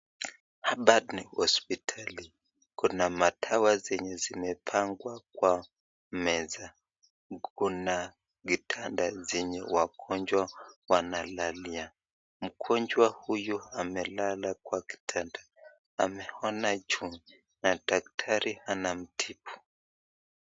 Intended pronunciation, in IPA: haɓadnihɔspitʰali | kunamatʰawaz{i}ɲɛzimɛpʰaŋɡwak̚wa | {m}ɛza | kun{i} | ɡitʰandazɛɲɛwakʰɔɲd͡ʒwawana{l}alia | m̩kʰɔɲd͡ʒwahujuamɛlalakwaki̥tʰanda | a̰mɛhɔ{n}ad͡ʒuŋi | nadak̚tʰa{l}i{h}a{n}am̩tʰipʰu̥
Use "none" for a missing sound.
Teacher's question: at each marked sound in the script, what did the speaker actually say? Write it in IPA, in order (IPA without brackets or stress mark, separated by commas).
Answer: ɛ, m, a, l, n, ɾ, h, n